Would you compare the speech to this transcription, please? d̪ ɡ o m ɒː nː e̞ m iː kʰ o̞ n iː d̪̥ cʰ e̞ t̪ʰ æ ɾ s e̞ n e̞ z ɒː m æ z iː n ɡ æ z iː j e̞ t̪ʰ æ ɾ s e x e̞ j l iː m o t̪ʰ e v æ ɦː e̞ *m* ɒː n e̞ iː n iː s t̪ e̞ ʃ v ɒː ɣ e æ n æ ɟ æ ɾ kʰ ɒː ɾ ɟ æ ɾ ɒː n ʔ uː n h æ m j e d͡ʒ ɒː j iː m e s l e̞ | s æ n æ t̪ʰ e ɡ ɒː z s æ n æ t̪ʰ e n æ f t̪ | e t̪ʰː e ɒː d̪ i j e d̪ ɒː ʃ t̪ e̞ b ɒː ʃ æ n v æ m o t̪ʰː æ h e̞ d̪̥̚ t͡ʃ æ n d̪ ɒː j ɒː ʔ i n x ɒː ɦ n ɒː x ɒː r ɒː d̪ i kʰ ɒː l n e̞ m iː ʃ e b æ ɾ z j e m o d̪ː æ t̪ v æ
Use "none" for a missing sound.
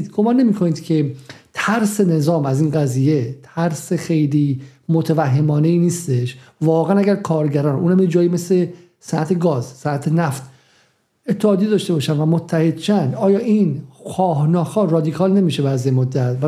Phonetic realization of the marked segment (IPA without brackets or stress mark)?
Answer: m